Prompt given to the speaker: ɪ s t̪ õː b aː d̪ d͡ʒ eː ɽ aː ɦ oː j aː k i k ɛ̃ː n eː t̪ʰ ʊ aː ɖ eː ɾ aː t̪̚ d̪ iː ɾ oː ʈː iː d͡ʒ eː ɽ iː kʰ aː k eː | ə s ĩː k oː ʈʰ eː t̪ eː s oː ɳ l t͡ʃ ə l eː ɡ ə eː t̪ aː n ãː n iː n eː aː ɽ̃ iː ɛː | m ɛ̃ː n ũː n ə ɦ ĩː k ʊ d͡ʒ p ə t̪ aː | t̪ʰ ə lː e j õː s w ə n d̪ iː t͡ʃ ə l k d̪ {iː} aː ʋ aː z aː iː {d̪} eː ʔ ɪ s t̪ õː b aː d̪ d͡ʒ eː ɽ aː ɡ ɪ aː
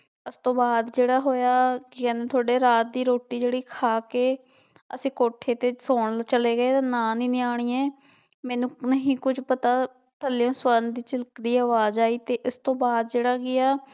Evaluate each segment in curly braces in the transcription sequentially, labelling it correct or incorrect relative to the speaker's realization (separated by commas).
correct, incorrect